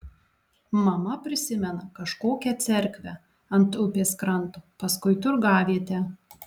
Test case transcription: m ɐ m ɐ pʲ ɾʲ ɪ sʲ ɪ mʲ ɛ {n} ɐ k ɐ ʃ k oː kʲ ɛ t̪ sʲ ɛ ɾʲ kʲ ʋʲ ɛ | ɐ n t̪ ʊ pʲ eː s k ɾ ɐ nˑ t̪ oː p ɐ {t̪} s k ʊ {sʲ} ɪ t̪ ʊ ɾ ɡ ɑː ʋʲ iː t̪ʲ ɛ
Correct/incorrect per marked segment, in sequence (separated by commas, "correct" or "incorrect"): correct, incorrect, incorrect